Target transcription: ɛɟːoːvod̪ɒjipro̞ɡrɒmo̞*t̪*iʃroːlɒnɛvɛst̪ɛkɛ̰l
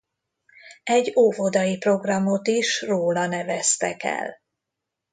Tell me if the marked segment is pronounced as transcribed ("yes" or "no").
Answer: yes